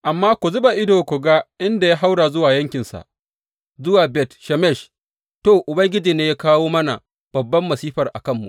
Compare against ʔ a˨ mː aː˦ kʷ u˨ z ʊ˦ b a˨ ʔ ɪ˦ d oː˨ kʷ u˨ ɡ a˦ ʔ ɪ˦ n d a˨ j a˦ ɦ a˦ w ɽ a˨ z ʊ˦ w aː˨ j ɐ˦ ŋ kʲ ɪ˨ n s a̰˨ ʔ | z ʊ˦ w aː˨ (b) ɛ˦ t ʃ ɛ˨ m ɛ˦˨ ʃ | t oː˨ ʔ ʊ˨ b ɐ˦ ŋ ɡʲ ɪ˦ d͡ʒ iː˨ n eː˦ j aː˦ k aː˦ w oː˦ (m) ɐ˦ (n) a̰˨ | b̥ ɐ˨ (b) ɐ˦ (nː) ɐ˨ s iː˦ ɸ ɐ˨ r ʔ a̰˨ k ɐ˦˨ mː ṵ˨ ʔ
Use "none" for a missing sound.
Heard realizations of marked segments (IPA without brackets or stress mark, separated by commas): b, m, n, bː, mː